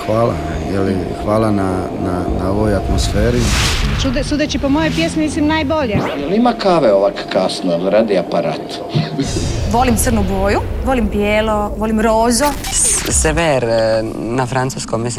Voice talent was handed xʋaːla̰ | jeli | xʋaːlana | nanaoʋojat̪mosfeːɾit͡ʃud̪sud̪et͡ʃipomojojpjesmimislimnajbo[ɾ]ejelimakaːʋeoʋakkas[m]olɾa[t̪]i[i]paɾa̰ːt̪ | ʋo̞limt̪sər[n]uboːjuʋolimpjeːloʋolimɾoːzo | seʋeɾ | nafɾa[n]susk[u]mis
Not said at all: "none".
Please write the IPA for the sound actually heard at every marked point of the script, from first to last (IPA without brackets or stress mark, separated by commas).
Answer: ʎ, n, d̪, a, n, n, o